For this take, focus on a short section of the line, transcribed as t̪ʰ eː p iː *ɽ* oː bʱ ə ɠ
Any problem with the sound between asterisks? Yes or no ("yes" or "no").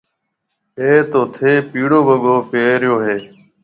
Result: no